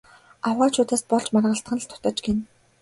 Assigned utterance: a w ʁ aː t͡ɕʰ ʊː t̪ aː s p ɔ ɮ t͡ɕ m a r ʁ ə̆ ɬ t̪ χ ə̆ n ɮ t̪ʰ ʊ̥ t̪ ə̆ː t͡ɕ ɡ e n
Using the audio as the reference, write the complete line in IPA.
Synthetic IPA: a w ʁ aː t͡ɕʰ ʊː t̪ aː s p ɔ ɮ t͡ɕ m a r ʁ ə̆ ɬ t̪ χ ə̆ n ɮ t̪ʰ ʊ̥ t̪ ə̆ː t͡ɕ ɡ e n